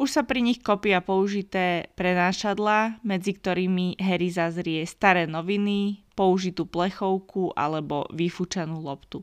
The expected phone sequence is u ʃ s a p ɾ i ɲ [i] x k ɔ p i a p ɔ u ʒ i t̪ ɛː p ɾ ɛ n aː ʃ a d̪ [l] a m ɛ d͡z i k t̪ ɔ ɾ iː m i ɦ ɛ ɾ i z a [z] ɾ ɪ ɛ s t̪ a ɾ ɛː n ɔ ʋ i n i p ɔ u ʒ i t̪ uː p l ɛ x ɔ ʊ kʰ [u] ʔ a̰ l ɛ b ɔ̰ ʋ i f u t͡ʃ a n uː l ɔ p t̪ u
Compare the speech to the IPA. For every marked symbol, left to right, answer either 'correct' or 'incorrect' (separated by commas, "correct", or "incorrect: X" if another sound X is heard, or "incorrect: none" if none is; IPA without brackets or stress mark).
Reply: correct, correct, correct, correct